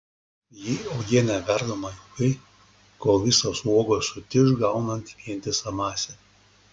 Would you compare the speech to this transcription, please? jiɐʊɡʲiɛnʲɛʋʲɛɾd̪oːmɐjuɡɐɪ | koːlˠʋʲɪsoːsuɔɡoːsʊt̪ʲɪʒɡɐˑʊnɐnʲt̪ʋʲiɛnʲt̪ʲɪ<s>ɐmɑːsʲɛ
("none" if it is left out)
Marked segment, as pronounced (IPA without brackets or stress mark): s